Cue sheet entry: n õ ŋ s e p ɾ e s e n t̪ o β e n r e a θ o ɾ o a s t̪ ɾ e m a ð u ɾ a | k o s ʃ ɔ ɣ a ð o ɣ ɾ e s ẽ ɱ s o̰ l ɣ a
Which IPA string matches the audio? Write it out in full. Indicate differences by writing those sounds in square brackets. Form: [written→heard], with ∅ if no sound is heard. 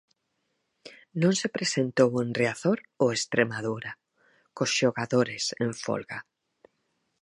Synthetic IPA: n õ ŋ s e p ɾ e s e n t̪ o [β→w] e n r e a θ o ɾ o [a→e] s t̪ ɾ e m a ð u ɾ a | k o s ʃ [ɔ→o] ɣ a ð o [ɣ→∅] ɾ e s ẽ ɱ [s→f] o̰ l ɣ a